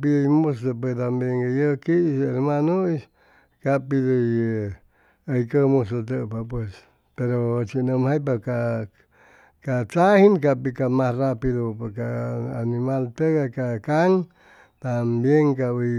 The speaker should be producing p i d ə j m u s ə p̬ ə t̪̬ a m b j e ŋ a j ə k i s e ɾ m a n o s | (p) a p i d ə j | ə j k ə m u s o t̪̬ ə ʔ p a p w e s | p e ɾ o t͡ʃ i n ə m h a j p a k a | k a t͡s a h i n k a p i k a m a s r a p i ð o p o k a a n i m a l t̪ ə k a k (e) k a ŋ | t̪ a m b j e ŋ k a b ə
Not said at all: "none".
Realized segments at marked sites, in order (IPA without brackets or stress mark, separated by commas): k, a